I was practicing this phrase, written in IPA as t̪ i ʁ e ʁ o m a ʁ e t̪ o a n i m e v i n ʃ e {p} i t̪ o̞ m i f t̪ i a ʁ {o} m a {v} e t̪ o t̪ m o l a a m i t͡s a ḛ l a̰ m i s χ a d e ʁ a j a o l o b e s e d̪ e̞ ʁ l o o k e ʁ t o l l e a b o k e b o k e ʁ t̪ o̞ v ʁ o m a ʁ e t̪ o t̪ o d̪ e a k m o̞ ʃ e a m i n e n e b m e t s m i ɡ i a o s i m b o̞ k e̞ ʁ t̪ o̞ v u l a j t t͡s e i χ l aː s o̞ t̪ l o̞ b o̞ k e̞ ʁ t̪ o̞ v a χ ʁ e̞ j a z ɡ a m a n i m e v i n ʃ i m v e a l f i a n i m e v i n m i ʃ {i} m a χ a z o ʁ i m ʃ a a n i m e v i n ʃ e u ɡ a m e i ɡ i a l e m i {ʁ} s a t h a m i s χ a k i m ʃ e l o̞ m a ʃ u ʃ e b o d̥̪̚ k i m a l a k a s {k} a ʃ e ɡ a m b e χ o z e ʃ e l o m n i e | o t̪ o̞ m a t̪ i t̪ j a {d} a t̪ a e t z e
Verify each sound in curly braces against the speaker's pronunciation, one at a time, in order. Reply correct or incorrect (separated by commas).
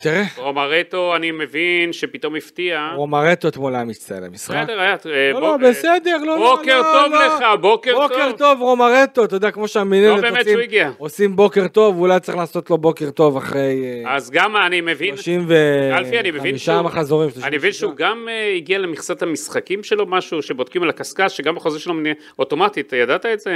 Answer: correct, correct, incorrect, incorrect, incorrect, correct, correct